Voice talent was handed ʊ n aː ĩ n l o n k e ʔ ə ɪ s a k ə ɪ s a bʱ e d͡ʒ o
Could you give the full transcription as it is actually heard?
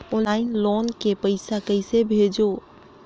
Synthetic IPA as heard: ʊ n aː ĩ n l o n k e p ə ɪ s a k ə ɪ s e bʱ e d͡ʒ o

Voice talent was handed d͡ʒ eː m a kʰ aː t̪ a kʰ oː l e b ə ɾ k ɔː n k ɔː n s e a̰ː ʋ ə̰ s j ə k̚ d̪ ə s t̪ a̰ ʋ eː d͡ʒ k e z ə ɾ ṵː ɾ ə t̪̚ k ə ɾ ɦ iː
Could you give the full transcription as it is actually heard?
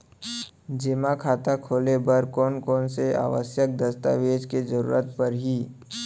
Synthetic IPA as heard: d͡ʒ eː m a kʰ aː t̪ a kʰ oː l e b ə ɾ k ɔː n k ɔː n s e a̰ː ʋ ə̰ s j ə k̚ d̪ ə s t̪ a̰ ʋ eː d͡ʒ k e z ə ɾ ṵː ɾ ə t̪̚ p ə ɾ ɦ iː

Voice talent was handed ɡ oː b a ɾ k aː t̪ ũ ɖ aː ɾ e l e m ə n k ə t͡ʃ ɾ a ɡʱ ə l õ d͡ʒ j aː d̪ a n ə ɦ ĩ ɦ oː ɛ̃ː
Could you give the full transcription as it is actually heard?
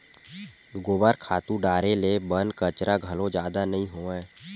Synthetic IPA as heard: ɡ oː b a ɾ kʰ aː t̪ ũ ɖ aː ɾ e l e b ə n k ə t͡ʃ ɾ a ɡʱ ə l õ d͡ʒ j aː d̪ a n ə ɦ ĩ ɦ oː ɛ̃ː

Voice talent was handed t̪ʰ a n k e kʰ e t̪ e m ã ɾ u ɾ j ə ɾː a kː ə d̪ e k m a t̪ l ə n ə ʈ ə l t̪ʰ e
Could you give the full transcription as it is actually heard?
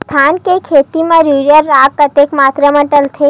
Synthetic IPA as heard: t̪ʰ a n k e kʰ e t̪ i m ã ɾ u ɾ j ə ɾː a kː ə t̪ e k m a t̪ ɾ ə m ə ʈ ə l t̪ʰ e

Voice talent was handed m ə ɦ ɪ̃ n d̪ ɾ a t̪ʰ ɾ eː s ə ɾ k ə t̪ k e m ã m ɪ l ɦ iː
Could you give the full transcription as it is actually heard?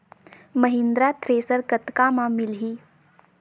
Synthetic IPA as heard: m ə ɦ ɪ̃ n d̪ ɾ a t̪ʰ ɾ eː s ə ɾ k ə t̪ k a m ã m ɪ l ɦ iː

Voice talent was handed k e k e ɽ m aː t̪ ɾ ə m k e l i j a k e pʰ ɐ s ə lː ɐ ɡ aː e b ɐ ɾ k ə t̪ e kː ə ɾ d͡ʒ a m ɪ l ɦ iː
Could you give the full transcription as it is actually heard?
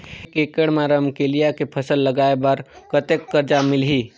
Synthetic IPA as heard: k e k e ɽ m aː ɾ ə m k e l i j a k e pʰ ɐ s ə lː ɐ ɡ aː e b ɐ ɾ k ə t̪ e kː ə ɾ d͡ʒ a m ɪ l ɦ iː

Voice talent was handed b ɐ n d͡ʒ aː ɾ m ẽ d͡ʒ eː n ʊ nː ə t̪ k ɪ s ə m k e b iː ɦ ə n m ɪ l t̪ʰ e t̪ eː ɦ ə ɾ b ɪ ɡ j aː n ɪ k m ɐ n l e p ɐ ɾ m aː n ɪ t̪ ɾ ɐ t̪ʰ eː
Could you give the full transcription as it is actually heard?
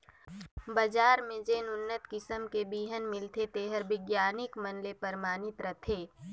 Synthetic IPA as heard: b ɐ d͡ʒ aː ɾ m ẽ d͡ʒ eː n ʊ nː ə t̪ k ɪ s ə m k e b iː ɦ ə n m ɪ l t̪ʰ e t̪ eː ɦ ə ɾ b ɪ ɡ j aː n ɪ k m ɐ n l e p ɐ ɾ m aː n ɪ t̪ ɾ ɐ t̪ʰ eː

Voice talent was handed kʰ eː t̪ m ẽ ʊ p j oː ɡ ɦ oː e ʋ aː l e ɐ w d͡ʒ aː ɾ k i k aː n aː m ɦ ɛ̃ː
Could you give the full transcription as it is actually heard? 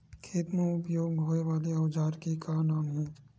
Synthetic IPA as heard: kʰ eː t̪ m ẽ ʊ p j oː ɡ ɦ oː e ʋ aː l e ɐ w d͡ʒ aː ɾ k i k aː n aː m ɦ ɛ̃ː

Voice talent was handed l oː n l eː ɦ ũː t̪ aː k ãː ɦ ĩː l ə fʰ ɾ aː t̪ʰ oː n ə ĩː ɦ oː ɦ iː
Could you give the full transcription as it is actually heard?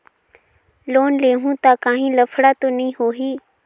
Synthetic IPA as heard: l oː n l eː ɦ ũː t̪ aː k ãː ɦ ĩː l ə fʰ ɽ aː t̪ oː n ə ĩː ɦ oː ɦ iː

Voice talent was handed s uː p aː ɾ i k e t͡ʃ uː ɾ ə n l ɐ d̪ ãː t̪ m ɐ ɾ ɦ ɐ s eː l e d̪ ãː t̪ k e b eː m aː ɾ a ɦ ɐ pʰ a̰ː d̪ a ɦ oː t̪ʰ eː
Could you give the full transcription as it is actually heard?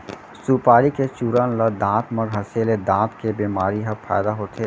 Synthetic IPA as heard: s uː p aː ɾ i k e t͡ʃ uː ɾ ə n l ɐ d̪ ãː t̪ m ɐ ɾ ɦ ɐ s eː l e d̪ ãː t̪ k e b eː m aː ɾ i ɦ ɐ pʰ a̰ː d̪ a ɦ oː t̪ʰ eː

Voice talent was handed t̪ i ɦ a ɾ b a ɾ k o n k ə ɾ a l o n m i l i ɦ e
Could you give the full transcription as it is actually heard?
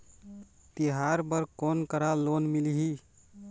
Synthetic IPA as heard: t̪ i ɦ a ɾ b ə ɾ k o n k ə ɾ a l o n m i l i ɦ i

